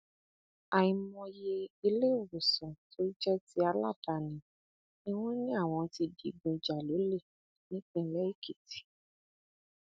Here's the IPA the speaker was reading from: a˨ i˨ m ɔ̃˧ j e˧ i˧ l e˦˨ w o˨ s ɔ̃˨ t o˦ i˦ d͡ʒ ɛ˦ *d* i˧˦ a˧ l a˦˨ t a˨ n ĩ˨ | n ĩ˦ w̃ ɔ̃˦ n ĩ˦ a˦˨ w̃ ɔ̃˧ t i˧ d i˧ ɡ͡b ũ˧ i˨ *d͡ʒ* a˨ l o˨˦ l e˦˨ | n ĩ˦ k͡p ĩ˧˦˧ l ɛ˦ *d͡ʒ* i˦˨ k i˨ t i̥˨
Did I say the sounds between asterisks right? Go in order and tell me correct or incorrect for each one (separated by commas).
incorrect, correct, incorrect